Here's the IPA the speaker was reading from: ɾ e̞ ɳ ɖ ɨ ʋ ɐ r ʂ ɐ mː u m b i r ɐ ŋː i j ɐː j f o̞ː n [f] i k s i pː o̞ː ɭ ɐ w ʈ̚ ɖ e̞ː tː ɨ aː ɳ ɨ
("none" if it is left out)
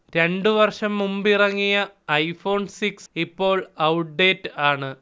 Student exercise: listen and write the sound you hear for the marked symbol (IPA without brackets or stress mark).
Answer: s